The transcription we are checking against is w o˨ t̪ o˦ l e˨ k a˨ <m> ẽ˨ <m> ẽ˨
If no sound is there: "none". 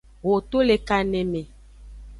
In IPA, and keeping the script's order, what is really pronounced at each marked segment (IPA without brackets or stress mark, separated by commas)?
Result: n, m